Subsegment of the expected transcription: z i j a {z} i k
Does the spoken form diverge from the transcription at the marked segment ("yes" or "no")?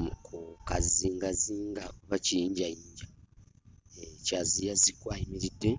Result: no